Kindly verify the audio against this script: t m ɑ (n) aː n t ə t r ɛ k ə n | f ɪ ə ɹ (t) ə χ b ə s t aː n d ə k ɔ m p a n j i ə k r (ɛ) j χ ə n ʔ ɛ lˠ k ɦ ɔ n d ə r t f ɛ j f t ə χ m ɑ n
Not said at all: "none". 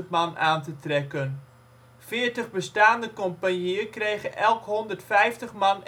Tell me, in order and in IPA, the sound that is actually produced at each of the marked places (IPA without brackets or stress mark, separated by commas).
n, t, e